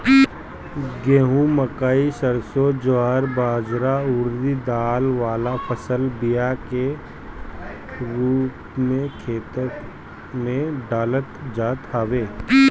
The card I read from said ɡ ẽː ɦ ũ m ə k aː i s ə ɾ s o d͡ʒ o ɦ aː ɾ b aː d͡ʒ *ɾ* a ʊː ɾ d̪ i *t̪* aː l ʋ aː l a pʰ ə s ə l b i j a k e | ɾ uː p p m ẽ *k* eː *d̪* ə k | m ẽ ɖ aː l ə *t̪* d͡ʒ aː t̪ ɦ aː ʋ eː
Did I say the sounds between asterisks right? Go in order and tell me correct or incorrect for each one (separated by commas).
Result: correct, incorrect, incorrect, incorrect, correct